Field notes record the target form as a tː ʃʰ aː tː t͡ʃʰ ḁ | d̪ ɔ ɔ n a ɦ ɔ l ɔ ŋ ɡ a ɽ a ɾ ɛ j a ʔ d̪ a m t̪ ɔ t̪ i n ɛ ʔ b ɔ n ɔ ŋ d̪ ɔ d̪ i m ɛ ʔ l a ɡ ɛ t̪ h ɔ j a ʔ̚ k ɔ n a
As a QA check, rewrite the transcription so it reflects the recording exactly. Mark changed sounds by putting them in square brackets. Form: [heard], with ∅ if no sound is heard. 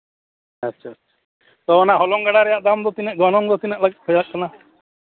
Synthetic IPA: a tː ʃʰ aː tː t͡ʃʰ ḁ | [t̪] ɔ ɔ n a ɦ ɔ l ɔ ŋ ɡ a ɽ a ɾ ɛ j a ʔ d̪ a m [d̪] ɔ t̪ i n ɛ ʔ [ɡ] ɔ n ɔ ŋ d̪ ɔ [t̪] i [n] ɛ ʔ l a ɡ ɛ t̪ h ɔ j a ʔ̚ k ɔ n a

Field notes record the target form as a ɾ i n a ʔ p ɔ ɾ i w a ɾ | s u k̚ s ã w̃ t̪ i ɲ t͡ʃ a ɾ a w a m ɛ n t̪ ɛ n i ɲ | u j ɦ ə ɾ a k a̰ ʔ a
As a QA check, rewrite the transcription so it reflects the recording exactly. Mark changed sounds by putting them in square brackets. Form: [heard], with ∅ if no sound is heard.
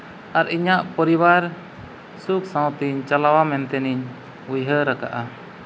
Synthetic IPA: a ɾ i [ɲ] a ʔ p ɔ ɾ i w a ɾ | s u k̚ s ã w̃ t̪ i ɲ t͡ʃ a [l] a w a m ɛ n t̪ ɛ n i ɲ | u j ɦ ə ɾ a k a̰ ʔ a

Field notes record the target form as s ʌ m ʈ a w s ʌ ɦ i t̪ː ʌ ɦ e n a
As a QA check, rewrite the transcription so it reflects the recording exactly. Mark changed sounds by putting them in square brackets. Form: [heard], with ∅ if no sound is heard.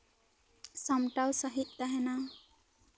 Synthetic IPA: s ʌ m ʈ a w s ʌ ɦ i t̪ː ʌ ɦ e n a

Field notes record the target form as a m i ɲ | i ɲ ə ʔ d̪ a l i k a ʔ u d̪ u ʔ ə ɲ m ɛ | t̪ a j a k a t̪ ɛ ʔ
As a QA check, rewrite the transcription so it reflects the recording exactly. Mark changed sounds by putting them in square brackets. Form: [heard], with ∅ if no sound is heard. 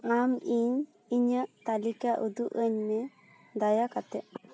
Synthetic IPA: a m i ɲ | i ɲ ə ʔ [t̪] a l i k a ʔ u d̪ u ʔ ə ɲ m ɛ | [d̪] a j a k a t̪ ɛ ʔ

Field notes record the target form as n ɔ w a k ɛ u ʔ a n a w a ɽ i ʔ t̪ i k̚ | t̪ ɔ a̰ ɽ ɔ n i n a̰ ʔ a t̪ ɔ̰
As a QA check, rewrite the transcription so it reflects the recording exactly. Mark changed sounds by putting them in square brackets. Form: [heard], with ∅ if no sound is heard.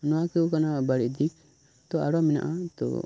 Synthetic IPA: n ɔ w a k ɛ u [k] a n a [b] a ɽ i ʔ [d̪] i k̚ | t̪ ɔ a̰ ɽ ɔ [m] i n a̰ ʔ a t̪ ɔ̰

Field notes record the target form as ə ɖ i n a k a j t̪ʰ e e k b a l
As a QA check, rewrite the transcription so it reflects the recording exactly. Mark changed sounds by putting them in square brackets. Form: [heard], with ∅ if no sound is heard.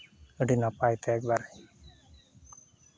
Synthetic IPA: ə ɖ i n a [p] a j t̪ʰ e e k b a [ɾ]

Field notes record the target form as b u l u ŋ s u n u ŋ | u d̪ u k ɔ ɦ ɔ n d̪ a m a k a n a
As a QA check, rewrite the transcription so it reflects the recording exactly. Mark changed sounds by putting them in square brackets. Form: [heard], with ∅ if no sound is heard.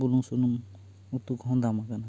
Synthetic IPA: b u l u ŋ s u n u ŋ | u [t̪] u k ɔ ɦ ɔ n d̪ a m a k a n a

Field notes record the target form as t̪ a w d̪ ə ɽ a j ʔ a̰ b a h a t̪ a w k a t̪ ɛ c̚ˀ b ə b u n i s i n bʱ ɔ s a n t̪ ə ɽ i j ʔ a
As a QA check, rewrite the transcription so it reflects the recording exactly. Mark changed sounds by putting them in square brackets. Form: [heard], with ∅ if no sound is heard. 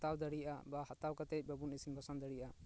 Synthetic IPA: t̪ a w d̪ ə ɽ [i] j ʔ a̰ b a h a t̪ a w k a t̪ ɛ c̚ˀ b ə b u n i s i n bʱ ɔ s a n [d̪] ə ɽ i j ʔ a

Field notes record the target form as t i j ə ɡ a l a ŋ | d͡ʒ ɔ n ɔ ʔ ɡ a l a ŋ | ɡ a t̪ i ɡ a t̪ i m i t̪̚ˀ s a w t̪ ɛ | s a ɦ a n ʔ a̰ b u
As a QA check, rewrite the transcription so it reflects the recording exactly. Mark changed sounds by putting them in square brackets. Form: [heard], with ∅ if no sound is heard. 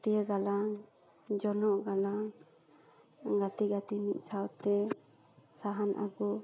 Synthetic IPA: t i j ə ɡ a l a ŋ | d͡ʒ ɔ n ɔ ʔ ɡ a l a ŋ | ɡ a t̪ i ɡ a t̪ i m i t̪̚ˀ s a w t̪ ɛ | s a ɦ a n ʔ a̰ [ɡ] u

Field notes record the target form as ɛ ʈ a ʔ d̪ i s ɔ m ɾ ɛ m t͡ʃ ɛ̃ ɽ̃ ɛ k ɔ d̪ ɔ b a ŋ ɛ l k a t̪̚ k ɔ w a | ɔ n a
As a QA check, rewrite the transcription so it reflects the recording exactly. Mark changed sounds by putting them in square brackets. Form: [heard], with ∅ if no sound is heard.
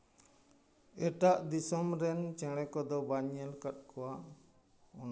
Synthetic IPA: ɛ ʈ a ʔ d̪ i s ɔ m ɾ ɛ [n] t͡ʃ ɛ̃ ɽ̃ ɛ k ɔ d̪ ɔ b a [ɲ] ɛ l k a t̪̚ k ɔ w a | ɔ n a

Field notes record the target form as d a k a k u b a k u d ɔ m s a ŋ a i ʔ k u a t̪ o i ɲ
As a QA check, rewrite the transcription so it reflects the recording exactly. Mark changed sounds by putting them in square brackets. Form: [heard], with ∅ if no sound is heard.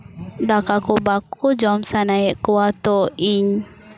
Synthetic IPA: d a k a k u b a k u [d͡ʒ] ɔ m s a [n] a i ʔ k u a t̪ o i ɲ

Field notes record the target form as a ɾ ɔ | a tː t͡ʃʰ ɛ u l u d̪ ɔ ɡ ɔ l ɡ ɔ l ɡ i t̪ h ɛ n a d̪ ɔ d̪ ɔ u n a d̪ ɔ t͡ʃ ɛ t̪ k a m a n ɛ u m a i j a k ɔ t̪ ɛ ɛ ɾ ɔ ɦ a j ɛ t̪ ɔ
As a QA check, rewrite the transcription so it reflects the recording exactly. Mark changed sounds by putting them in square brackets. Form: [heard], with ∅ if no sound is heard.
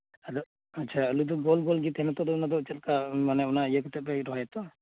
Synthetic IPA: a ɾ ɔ | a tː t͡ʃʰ [a] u l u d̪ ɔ ɡ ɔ l ɡ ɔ l ɡ i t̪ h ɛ n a [t̪] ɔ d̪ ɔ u n a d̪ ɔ t͡ʃ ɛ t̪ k a m a n ɛ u [n] a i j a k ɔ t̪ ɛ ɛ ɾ ɔ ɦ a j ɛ t̪ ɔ

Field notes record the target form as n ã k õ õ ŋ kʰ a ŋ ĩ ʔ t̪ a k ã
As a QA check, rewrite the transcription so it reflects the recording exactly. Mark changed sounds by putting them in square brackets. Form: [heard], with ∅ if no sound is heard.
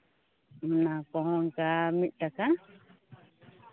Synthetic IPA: n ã k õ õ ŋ [k] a [m] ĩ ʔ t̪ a k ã

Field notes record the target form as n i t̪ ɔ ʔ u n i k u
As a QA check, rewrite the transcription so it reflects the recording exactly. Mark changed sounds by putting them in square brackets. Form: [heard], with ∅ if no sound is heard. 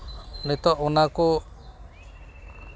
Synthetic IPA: n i t̪ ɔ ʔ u n [a] k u

